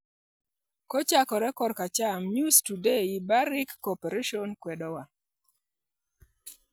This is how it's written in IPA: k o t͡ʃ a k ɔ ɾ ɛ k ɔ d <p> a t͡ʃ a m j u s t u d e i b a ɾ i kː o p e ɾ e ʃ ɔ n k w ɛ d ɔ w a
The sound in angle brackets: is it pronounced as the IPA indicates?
no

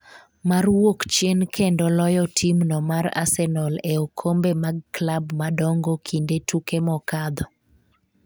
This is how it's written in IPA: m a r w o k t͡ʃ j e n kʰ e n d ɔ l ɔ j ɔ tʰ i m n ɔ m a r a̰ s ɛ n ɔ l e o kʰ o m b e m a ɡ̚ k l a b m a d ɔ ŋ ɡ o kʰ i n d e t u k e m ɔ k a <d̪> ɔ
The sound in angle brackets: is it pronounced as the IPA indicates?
yes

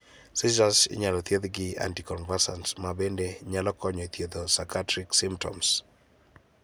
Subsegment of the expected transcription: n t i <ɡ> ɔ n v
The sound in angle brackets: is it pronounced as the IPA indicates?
no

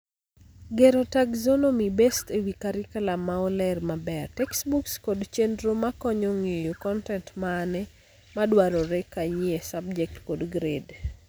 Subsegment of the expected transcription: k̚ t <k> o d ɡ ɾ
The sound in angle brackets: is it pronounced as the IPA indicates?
yes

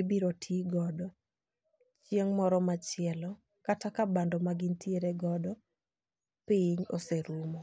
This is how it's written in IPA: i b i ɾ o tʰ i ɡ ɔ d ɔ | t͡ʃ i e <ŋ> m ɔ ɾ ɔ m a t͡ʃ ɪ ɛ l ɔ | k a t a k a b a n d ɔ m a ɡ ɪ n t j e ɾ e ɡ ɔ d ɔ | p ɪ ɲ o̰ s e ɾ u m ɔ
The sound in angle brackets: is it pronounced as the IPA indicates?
yes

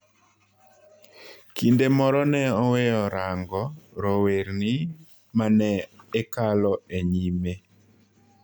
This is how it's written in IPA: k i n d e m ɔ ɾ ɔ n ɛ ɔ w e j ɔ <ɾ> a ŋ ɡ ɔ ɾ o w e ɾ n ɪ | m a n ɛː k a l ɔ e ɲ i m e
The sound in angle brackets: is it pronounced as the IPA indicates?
yes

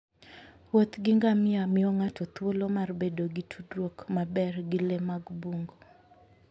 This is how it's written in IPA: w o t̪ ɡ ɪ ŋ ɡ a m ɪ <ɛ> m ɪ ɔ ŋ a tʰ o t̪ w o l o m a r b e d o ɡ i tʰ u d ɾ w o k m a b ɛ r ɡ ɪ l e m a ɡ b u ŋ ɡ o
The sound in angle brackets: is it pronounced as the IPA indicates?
no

